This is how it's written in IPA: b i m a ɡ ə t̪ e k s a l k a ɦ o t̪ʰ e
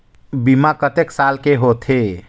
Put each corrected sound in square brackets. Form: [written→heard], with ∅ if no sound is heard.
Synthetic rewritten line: b i m a [ɡ→k] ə t̪ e k s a l k [a→e] ɦ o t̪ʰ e